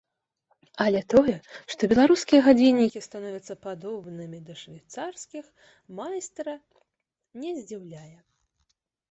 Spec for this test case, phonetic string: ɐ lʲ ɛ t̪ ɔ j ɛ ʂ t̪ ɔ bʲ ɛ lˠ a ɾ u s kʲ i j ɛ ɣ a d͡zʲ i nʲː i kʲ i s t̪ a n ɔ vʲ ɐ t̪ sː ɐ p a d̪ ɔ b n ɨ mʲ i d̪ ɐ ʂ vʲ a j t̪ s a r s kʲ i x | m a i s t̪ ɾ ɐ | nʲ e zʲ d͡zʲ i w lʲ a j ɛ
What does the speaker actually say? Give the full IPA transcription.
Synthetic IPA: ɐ lʲ ɛ t̪ ɔ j ɛ ʂ t̪ ɔ bʲ ɛ lˠ a ɾ u s kʲ i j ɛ ɣ a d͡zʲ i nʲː i kʲ i s t̪ a n ɔ vʲ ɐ t̪ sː ɐ p a d̪ ɔ b n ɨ mʲ i d̪ ɐ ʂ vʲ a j t̪ s a r s kʲ i x | m a j s t̪ ɾ ɐ | nʲ ɛ zʲ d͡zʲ i w lʲ a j ɛ